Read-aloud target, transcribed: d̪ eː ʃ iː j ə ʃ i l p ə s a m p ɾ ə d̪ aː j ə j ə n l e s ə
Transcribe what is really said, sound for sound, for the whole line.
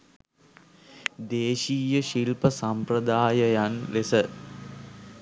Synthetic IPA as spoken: d̪ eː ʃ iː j ə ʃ i l p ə s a m p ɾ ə d̪ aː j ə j a n l e s ə